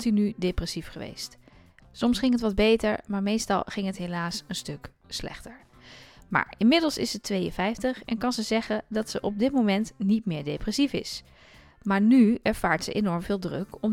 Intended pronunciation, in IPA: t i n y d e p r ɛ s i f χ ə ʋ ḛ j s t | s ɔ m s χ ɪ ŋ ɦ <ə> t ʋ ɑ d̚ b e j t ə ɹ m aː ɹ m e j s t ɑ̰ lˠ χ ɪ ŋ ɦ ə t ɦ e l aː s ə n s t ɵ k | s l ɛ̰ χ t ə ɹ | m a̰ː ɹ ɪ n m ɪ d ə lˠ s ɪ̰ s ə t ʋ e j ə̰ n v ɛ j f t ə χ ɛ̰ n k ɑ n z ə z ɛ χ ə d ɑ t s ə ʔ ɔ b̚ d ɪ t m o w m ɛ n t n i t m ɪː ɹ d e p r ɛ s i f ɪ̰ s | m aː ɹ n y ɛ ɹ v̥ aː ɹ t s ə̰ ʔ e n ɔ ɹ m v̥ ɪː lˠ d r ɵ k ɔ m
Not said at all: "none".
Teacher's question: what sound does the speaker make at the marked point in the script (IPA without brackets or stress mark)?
ə